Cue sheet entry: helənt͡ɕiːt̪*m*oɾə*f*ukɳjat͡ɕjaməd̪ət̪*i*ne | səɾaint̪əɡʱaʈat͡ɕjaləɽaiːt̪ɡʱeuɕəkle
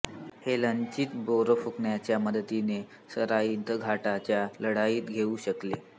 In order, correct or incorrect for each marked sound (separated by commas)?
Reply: incorrect, correct, correct